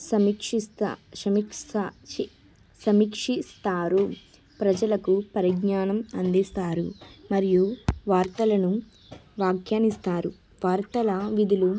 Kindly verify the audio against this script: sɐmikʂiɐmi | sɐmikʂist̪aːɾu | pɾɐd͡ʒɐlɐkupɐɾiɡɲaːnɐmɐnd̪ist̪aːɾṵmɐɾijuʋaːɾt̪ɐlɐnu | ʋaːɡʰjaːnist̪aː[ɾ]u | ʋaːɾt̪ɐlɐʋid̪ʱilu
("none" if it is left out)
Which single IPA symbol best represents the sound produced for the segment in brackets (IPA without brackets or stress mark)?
ɾ